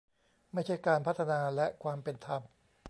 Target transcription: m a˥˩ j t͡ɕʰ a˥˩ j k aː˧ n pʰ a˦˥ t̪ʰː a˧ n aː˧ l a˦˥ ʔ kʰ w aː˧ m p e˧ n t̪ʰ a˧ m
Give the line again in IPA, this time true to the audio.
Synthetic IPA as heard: m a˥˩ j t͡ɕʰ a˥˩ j k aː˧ n pʰ a˦˥ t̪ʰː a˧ n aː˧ l ɛ˦˥ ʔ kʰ w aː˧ m p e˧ n t̪ʰ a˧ m